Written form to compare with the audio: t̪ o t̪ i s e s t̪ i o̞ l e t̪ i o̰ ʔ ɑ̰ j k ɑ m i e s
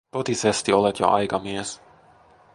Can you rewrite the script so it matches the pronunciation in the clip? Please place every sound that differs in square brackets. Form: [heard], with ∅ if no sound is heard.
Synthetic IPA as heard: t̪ o t̪ i s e s t̪ i o̞ l e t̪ [j] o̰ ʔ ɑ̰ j k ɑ m i e s